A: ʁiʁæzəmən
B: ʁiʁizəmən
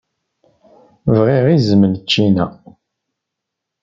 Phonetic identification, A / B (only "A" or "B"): B